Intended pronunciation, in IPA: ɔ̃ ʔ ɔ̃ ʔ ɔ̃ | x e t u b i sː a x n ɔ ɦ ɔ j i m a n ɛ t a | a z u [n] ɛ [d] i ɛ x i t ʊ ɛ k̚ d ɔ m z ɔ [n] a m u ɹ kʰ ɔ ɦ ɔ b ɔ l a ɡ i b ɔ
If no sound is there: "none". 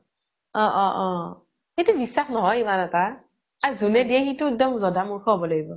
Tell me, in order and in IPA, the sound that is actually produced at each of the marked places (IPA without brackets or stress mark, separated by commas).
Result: n, d, d